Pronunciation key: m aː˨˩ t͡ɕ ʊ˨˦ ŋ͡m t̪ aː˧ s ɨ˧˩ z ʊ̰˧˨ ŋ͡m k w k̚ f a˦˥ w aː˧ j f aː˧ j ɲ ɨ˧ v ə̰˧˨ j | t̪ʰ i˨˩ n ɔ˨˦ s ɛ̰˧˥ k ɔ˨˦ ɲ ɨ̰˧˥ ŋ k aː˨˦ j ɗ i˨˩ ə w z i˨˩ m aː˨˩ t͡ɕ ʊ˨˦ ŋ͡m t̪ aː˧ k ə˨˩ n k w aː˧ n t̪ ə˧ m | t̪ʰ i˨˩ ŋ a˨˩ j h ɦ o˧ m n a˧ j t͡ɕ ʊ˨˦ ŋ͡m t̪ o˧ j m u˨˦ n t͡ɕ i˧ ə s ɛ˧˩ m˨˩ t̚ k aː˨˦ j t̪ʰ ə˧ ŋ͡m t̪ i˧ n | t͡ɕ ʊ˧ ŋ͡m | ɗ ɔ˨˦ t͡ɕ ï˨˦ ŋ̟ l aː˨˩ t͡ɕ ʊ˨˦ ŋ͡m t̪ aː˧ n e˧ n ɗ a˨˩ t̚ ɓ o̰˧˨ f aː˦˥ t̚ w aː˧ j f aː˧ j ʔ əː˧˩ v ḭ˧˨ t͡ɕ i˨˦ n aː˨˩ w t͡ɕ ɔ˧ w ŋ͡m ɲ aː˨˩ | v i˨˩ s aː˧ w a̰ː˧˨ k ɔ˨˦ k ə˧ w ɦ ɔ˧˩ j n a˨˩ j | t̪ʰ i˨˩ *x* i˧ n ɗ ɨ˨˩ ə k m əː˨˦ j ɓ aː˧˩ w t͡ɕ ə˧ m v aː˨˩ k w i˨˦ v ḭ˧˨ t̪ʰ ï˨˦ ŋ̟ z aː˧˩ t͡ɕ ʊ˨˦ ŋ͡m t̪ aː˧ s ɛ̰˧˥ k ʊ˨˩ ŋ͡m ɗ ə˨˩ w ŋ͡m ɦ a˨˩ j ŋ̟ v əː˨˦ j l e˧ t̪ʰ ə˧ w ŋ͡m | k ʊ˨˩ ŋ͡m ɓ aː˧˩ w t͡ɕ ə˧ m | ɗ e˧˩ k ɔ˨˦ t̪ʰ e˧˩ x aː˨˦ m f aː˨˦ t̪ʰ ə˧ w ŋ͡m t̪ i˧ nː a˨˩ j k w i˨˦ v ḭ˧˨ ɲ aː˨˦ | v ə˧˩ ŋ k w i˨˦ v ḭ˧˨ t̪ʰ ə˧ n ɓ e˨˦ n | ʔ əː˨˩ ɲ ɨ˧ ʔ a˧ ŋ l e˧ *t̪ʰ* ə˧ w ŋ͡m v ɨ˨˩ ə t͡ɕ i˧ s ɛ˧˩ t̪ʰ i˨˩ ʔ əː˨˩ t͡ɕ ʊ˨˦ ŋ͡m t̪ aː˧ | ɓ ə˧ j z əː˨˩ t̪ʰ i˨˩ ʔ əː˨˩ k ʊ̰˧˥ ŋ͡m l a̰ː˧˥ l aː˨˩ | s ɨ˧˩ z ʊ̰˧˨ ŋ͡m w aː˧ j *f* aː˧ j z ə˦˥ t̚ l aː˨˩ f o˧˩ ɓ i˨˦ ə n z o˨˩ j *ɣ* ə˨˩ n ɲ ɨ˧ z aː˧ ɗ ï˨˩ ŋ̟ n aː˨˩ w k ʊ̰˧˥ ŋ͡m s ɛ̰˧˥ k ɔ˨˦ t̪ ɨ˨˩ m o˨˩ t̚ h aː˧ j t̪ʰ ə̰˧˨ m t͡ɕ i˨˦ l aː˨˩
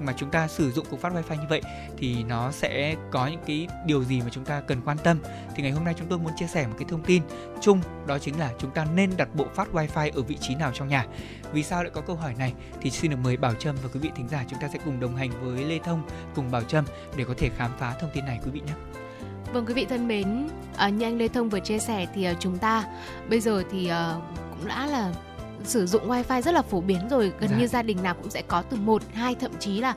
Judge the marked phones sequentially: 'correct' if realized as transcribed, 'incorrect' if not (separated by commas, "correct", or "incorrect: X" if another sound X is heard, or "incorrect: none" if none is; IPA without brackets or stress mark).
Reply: incorrect: s, correct, correct, correct